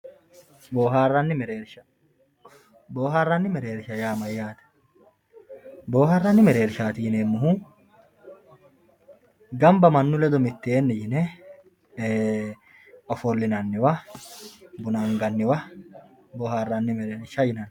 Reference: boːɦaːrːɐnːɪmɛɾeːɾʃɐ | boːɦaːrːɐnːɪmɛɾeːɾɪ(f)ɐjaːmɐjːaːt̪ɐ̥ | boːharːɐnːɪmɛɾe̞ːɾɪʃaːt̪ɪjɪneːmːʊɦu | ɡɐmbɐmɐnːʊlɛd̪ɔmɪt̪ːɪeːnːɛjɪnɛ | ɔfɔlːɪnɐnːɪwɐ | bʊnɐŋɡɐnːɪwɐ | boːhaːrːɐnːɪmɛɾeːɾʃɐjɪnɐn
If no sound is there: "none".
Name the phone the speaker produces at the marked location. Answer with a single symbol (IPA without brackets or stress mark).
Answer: ʃ